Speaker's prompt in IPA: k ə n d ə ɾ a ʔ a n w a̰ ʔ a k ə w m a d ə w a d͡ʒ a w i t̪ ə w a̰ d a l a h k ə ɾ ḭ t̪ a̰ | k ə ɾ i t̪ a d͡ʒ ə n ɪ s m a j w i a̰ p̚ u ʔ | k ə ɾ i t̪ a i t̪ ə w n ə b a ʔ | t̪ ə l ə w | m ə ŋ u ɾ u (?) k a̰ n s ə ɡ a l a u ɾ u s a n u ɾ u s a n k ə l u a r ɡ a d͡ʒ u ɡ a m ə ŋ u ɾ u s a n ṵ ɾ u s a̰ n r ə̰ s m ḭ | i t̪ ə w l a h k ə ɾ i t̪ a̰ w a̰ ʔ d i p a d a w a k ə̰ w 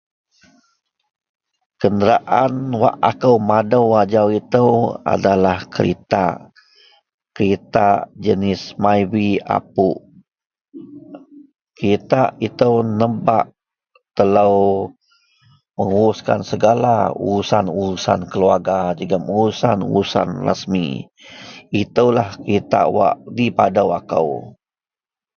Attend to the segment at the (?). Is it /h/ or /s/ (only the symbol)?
s